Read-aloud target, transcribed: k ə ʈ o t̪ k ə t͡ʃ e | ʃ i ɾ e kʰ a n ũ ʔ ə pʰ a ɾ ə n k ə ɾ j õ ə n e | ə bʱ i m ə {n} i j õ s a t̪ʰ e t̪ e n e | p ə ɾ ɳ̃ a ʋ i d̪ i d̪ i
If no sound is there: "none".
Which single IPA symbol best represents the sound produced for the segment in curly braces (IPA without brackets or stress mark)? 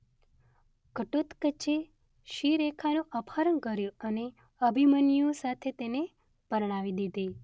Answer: n